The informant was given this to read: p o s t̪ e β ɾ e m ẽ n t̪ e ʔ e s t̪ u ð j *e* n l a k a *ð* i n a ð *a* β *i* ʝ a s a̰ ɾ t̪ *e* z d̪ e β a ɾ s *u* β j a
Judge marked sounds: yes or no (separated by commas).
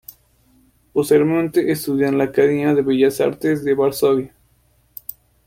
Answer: no, yes, no, no, yes, no